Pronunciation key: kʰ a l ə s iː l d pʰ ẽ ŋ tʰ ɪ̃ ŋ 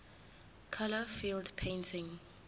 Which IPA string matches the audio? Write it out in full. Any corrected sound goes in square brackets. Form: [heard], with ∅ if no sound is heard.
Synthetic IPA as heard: kʰ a l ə [f] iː l d pʰ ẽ [n] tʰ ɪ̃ ŋ